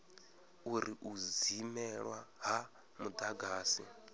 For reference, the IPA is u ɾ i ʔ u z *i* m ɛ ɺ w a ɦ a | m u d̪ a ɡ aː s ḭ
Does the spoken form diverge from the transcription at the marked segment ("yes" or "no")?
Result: no